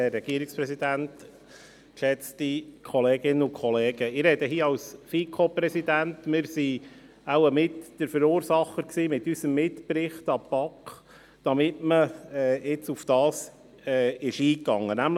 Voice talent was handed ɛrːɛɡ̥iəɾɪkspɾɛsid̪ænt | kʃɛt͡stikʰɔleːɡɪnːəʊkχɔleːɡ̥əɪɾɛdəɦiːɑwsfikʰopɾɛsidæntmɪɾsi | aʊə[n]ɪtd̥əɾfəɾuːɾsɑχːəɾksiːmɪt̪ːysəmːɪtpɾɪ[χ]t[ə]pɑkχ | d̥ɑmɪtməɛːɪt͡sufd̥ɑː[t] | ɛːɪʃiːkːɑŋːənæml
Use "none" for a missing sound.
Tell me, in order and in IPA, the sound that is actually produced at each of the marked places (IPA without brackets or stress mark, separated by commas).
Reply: m, χ, ɑ, s